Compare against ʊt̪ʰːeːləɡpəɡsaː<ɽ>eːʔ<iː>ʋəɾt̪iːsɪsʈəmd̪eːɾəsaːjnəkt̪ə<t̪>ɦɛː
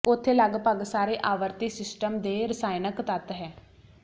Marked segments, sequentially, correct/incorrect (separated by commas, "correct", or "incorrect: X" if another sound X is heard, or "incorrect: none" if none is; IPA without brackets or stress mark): incorrect: ɾ, incorrect: aː, correct